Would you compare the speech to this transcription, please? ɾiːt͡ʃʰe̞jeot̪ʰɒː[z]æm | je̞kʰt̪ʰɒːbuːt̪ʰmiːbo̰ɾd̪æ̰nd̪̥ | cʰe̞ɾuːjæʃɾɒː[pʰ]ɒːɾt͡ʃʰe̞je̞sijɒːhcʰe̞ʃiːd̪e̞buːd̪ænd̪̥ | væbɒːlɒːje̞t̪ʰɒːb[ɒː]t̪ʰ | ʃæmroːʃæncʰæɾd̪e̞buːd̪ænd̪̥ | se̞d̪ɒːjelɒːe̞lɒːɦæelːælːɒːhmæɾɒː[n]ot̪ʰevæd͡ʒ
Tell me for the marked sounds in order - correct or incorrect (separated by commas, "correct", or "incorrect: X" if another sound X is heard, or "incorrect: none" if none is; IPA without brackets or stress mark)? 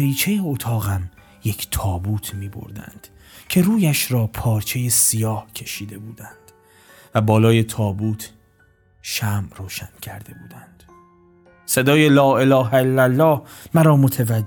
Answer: incorrect: ɣ, correct, incorrect: uː, incorrect: m